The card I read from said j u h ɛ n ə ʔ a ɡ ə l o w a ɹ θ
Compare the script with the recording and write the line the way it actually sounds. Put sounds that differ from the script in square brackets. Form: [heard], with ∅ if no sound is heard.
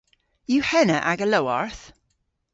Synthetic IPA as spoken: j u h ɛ n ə ʔ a ɡ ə l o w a ɹ θ